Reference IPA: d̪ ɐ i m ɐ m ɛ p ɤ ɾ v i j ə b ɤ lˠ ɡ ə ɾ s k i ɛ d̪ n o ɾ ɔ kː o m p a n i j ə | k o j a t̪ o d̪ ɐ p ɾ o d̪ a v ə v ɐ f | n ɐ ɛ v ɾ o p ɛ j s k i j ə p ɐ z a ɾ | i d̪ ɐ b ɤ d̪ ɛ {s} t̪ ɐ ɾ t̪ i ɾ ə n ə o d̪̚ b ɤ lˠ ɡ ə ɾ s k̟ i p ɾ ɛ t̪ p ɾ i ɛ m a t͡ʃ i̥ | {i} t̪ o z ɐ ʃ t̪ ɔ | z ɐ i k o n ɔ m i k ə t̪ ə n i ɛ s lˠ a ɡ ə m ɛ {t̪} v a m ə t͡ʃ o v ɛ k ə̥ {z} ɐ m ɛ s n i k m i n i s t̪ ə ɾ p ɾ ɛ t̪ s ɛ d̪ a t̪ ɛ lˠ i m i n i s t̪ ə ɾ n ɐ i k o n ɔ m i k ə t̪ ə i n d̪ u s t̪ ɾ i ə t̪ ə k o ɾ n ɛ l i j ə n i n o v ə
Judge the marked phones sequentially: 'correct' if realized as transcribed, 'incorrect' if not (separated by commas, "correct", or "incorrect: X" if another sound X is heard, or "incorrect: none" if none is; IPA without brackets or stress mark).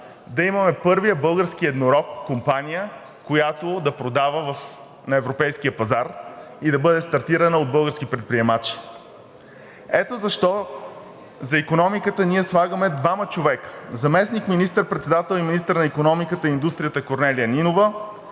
correct, incorrect: ɛ, incorrect: d̪, correct